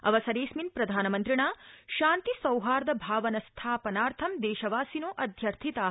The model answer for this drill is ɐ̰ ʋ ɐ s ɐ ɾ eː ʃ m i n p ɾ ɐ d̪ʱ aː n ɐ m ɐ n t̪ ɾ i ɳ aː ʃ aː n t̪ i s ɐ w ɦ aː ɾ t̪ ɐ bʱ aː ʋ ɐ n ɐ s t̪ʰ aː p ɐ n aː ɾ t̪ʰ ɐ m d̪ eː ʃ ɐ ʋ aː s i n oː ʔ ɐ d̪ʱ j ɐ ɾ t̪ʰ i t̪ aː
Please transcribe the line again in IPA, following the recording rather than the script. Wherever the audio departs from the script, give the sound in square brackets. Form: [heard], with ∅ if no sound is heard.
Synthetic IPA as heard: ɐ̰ ʋ ɐ s ɐ ɾ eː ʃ m i n p ɾ ɐ d̪ʱ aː n ɐ m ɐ n t̪ ɾ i ɳ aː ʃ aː n t̪ i s ɐ w ɦ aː ɾ [d̪] ɐ bʱ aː ʋ ɐ n ɐ s t̪ʰ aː p ɐ n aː ɾ t̪ʰ ɐ m d̪ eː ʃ ɐ ʋ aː s i n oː ʔ ɐ d̪ʱ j ɐ ɾ t̪ʰ i t̪ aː